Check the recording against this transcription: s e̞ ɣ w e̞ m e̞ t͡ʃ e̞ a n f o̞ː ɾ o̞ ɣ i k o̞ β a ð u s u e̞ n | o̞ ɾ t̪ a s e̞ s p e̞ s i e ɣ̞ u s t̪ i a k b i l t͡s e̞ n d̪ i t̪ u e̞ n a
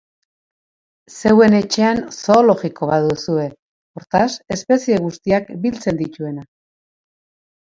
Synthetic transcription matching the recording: s e̞ w e̞ n e̞ t͡ʃ e̞ a n s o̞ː l o̞ ɣ i k o̞ β a ð u s u e̞ | o̞ ɾ t̪ a s e̞ s p e̞ s i e ɣ̞ u s t̪ i a k b i l t͡s e̞ n d̪ i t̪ u e̞ n a